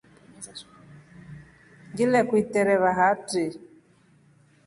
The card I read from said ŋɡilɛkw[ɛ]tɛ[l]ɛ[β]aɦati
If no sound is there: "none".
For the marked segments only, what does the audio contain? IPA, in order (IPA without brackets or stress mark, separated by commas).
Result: i, ɾ, β